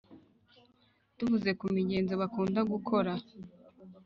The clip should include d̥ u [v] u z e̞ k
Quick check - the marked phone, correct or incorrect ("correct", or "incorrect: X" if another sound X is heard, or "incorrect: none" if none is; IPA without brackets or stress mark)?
correct